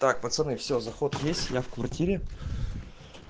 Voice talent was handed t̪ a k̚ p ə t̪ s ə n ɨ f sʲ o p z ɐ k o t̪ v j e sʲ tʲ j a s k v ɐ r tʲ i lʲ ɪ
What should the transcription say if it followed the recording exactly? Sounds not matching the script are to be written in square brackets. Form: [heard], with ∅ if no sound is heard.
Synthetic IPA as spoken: t̪ a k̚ p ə t̪ s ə n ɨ f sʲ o [∅] z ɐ [x] o t̪ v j e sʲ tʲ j a [f] k v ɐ r tʲ i [ɾʲ] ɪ